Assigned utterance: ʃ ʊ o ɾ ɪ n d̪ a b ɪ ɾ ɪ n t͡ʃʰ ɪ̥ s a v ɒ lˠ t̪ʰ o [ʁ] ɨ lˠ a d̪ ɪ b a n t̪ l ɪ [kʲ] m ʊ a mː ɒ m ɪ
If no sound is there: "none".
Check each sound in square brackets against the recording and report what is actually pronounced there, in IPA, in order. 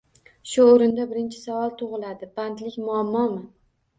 ʁ, kʲ

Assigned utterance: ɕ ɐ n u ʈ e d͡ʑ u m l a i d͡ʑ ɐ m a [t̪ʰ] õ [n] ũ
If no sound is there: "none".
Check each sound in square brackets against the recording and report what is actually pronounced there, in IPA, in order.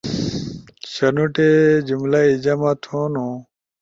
t̪ʰ, n

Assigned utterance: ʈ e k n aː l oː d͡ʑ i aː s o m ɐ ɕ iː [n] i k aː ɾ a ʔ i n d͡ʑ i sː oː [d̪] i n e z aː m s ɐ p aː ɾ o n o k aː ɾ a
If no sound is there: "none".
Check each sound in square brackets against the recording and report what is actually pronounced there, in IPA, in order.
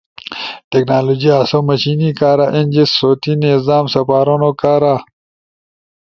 n, t̪

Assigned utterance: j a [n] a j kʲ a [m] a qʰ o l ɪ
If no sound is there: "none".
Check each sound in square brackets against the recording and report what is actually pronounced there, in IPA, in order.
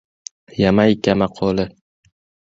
m, m

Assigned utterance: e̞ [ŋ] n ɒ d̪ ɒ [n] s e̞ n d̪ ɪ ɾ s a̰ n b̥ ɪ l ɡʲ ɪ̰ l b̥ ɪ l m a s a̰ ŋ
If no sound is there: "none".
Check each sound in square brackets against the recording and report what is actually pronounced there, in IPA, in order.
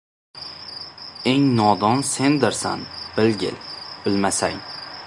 ŋ, n

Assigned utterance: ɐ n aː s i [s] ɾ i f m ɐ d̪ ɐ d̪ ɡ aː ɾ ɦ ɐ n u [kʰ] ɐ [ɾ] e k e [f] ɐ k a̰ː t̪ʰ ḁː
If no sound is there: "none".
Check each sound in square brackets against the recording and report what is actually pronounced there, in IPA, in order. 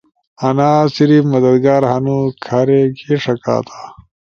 none, kʰ, ɾ, ʂ

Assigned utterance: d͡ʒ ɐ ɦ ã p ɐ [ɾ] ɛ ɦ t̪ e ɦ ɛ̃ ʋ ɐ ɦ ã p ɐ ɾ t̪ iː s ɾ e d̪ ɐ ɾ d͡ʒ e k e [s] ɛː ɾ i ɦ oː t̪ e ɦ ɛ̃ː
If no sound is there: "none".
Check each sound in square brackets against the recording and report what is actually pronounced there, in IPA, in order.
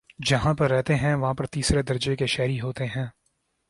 ɾː, ʃ

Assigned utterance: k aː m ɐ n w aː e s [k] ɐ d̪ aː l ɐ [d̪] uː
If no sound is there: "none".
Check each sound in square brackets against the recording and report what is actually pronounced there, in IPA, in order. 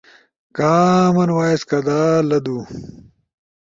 k, d̪

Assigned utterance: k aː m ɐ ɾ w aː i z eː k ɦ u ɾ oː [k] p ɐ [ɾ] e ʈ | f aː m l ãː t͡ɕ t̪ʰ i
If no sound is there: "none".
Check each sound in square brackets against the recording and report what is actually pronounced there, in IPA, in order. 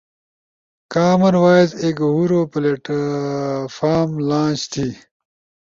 none, l

